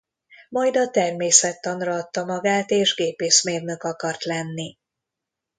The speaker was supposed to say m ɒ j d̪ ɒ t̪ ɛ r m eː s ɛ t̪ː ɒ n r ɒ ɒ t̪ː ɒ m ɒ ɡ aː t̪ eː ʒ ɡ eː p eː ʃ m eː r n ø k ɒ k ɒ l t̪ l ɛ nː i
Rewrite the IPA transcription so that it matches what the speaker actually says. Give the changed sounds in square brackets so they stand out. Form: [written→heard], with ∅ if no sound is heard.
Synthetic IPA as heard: m ɒ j d̪ ɒ t̪ ɛ r m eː s ɛ t̪ː ɒ n r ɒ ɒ t̪ː ɒ m ɒ ɡ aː t̪ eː ʒ ɡ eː p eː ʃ m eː r n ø k ɒ k ɒ [l→r] t̪ l ɛ nː i

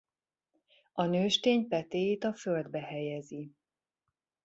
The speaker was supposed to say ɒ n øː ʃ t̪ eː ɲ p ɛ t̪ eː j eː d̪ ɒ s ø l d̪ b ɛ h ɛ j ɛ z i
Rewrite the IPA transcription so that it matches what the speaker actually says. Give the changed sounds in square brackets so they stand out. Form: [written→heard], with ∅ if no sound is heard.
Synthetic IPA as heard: ɒ n øː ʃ t̪ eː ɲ p ɛ t̪ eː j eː [d̪→t̪] ɒ [s→f] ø l d̪ b ɛ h ɛ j ɛ z i

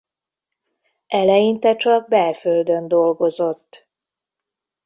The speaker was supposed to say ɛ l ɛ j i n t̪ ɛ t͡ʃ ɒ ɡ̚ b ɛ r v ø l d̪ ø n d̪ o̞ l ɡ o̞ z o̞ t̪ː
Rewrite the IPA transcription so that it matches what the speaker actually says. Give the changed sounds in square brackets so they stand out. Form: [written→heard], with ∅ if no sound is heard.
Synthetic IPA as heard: ɛ l ɛ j i n t̪ ɛ t͡ʃ ɒ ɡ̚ b ɛ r [v→f] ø l d̪ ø n d̪ o̞ l ɡ o̞ z o̞ t̪ː

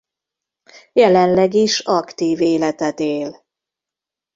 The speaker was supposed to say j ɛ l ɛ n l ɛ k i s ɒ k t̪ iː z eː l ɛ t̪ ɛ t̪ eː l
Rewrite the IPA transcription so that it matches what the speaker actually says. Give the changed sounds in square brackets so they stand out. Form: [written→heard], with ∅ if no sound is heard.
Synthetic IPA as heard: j ɛ l ɛ n l ɛ [k→ɡ] i [s→ʃ] ɒ k t̪ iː [z→v] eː l ɛ t̪ ɛ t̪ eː l

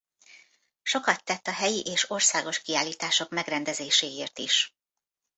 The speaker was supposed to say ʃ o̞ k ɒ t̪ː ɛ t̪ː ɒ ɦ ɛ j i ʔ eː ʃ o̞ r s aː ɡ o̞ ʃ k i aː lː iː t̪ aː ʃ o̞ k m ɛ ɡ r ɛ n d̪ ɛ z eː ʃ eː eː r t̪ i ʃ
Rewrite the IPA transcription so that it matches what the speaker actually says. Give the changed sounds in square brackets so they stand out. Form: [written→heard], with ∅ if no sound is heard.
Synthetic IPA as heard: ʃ o̞ k ɒ t̪ː ɛ t̪ː ɒ ɦ ɛ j i ʔ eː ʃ o̞ r s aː ɡ o̞ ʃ k i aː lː iː t̪ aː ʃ o̞ k m ɛ ɡ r ɛ n d̪ ɛ z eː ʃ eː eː r t̪ i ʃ

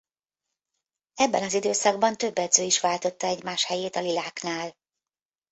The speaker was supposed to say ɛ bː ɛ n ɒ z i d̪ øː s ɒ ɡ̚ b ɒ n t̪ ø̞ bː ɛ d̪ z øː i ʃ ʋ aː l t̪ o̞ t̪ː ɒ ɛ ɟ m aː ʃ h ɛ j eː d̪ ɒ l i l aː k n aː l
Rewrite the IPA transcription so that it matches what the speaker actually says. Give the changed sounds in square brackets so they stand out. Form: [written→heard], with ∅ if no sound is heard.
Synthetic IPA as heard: ɛ bː ɛ n ɒ z i d̪ øː s ɒ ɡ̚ b ɒ n t̪ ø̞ bː ɛ d̪ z øː i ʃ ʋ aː l t̪ o̞ t̪ː ɒ ɛ ɟ m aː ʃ h ɛ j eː [d̪→t̪] ɒ l i l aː k n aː l

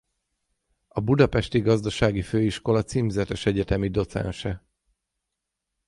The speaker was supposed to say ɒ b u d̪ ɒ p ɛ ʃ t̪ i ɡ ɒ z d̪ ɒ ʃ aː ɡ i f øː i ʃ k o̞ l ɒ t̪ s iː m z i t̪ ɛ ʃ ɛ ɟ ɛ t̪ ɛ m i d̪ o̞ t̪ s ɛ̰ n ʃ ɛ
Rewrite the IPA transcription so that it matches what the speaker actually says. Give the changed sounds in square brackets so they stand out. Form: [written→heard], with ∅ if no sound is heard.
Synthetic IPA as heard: ɒ b u d̪ ɒ p ɛ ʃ t̪ i ɡ ɒ z d̪ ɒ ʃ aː ɡ i f øː i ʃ k o̞ l ɒ t̪ s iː m z [i→ɛ] t̪ ɛ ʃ ɛ ɟ ɛ t̪ ɛ m i d̪ o̞ t̪ s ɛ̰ n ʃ ɛ

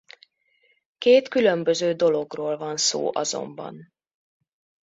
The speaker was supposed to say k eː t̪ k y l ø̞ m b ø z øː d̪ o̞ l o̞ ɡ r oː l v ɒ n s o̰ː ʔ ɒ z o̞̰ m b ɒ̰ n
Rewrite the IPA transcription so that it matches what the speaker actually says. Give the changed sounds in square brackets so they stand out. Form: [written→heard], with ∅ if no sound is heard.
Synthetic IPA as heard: k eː t̪ k y l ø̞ m b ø z øː d̪ o̞ l o̞ ɡ r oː l v ɒ n s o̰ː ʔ ɒ z o̞̰ m b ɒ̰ n

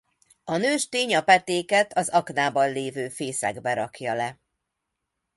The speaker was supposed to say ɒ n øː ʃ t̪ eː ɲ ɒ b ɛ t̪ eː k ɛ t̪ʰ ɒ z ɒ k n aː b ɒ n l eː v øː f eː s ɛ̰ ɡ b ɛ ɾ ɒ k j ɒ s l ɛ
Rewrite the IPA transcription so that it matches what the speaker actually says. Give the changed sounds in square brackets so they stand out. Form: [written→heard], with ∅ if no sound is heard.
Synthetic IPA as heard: ɒ n øː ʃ t̪ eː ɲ ɒ [b→p] ɛ t̪ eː k ɛ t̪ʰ ɒ z ɒ k n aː b ɒ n l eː v øː f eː s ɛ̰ ɡ b ɛ ɾ ɒ k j ɒ [s→∅] l ɛ

